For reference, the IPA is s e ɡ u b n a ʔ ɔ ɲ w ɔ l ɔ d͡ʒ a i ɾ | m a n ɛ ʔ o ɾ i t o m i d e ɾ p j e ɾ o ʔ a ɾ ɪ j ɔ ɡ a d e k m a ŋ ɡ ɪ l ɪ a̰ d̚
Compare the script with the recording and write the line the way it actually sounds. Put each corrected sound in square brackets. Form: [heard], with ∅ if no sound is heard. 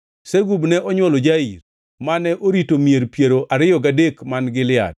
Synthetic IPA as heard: s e ɡ u b n [ɛ] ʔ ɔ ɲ w ɔ l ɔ d͡ʒ a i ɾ | m a n ɛ ʔ o ɾ i t o m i [∅] e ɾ p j e ɾ o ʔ a ɾ ɪ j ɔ ɡ a d e k m a [n] ɡ ɪ l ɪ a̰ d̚